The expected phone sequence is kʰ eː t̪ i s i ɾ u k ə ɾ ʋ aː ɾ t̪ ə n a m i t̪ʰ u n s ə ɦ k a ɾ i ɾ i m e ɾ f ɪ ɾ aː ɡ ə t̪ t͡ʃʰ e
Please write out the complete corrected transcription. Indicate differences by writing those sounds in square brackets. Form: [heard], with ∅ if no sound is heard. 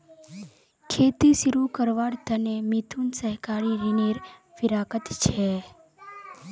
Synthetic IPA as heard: kʰ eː t̪ i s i ɾ u k ə ɾ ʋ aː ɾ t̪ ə n [e] m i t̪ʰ u n s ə ɦ k a ɾ i ɾ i [n] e ɾ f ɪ ɾ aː [k] ə t̪ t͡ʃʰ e